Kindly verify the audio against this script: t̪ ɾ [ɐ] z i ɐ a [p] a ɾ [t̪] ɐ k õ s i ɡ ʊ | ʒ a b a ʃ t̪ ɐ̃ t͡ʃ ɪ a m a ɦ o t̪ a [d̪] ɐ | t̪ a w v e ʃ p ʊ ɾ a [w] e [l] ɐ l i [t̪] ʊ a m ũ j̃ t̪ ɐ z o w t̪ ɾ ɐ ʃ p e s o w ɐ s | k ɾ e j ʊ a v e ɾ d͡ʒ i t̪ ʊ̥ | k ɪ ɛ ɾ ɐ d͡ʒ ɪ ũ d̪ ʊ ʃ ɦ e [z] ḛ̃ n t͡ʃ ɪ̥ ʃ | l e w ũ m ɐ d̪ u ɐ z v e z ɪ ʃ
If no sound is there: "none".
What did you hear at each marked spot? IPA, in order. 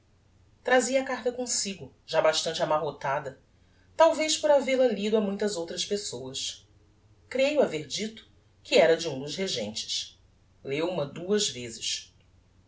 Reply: a, k, t̪, d̪, v, l, d̪, ʒ

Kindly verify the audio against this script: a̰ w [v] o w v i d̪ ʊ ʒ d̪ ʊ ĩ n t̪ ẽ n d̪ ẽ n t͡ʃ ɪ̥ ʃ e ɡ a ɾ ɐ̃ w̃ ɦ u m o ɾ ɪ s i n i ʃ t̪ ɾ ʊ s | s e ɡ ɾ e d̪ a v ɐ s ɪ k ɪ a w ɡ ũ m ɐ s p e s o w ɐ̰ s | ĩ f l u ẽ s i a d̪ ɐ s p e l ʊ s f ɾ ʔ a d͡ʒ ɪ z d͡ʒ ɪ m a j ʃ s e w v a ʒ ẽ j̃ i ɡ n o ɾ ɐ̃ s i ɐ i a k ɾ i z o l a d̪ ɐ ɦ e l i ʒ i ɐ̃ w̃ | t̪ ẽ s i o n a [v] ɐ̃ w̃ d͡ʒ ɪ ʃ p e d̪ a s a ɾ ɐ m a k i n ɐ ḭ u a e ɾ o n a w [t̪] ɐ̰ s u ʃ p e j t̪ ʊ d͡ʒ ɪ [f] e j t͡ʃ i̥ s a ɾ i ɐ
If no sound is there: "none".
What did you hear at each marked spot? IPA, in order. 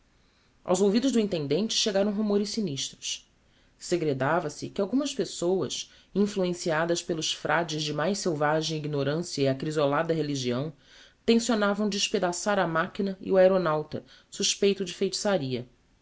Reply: z, v, t̪, f

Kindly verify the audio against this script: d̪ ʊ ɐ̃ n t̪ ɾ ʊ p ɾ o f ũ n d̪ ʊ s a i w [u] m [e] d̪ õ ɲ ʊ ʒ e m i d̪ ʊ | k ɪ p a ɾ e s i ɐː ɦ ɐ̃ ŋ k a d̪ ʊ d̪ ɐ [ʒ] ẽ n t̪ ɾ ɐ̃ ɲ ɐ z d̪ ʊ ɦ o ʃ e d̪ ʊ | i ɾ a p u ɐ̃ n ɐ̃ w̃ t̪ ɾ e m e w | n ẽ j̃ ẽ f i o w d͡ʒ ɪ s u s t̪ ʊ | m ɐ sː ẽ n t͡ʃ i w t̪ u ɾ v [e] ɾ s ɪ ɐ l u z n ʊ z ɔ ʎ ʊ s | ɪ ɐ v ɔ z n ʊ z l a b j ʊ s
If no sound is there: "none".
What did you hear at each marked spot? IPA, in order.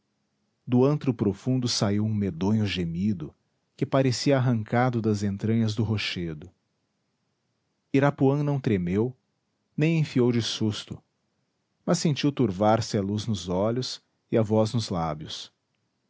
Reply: ũ, e, z, a

